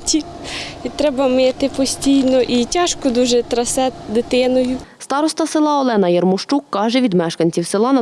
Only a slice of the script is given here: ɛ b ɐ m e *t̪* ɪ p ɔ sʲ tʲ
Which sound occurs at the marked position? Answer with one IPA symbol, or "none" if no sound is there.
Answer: t̪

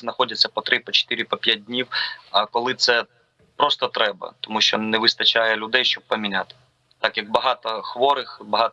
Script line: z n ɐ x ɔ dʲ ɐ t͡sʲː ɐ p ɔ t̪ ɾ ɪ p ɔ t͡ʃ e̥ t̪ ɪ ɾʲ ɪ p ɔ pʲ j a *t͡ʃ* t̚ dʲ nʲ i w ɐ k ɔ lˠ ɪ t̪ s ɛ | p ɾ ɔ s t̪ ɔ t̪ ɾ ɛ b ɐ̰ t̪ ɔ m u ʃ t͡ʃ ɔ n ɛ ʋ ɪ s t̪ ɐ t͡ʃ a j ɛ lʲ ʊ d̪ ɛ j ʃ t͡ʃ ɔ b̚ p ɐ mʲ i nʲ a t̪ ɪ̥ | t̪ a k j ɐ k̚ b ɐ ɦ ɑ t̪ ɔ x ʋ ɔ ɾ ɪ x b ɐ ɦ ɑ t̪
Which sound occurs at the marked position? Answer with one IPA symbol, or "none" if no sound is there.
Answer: none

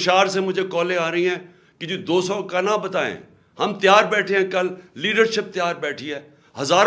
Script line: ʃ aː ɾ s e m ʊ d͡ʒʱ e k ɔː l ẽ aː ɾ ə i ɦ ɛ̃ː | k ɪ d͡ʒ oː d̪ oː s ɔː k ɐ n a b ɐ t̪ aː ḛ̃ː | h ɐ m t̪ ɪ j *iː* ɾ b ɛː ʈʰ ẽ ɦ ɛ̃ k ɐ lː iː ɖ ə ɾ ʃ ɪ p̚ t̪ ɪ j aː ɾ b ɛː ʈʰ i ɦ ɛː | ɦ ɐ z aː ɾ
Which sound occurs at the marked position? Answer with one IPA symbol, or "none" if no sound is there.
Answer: aː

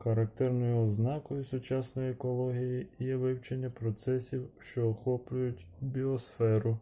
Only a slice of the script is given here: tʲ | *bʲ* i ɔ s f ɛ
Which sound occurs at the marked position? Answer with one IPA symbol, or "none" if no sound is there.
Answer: bʲ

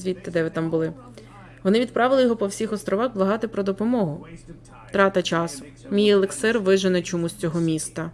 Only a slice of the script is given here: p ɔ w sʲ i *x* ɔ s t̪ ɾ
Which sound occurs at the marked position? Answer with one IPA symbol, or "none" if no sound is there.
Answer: x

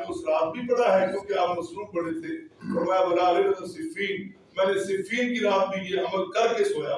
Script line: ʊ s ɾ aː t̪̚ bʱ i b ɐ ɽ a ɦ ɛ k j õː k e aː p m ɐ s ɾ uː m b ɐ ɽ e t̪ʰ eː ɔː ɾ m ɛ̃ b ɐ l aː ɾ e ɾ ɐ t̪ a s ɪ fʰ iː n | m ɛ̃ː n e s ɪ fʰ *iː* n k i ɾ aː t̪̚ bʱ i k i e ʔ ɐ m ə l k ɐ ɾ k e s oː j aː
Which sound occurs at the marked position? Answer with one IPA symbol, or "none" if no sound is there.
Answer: iː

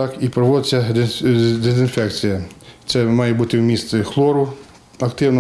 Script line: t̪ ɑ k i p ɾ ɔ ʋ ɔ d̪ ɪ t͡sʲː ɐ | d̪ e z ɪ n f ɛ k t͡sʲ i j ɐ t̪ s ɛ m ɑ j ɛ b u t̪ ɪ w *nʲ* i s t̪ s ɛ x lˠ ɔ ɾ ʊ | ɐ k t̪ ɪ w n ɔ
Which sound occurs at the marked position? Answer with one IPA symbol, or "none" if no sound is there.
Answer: mʲ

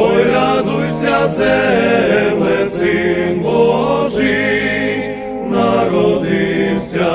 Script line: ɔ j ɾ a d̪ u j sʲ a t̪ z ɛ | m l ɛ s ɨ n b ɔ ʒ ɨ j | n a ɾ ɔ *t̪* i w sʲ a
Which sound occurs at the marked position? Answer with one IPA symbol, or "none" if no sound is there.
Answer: d̪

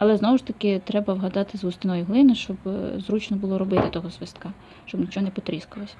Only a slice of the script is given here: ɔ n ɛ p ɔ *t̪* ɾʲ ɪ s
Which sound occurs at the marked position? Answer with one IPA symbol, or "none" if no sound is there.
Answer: t̪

